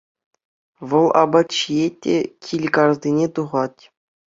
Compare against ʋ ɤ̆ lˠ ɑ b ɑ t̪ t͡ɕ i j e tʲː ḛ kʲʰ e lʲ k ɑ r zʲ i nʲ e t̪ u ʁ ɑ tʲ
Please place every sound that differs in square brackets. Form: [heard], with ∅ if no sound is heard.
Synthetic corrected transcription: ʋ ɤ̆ lˠ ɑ b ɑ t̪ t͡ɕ i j e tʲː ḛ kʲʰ [i] lʲ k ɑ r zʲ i nʲ e t̪ u ʁ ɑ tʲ

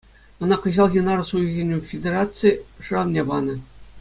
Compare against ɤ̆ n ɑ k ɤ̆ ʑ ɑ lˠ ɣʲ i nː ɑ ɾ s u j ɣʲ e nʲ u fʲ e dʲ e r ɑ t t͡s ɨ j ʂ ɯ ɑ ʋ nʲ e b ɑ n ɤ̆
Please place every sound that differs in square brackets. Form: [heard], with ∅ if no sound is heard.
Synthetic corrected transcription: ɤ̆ n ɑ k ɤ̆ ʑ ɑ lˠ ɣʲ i [n] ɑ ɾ s u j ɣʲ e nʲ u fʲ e dʲ e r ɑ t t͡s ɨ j ʂ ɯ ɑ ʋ nʲ e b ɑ n ɤ̆

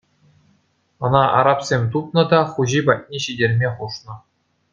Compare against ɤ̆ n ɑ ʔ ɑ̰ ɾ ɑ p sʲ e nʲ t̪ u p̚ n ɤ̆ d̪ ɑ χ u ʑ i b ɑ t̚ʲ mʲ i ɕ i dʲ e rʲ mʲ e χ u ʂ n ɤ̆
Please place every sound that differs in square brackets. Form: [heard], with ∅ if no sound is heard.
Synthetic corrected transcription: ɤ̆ n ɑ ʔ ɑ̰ ɾ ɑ p sʲ e [mʲ] t̪ u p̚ n ɤ̆ d̪ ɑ χ u ʑ i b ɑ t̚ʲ [nʲ] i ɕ i dʲ e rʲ mʲ e χ u ʂ n ɤ̆

